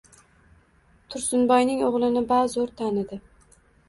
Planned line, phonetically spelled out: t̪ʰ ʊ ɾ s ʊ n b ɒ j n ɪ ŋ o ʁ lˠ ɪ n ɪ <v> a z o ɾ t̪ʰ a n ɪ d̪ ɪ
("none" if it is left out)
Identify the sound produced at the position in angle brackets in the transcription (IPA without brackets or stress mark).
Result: b